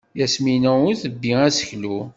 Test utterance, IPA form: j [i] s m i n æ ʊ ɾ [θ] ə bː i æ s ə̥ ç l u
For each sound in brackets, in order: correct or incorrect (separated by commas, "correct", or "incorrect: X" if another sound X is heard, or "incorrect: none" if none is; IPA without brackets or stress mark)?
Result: incorrect: æ, correct